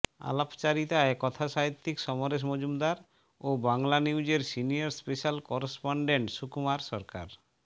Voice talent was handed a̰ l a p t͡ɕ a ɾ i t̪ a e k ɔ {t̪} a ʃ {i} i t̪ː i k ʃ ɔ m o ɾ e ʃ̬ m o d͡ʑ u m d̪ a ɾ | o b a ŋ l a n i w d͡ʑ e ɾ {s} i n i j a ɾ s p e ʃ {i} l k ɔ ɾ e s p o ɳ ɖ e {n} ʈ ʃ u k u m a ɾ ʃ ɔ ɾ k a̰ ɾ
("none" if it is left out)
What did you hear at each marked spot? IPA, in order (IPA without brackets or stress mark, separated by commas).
t̪ʰ, a, s, a, ɳ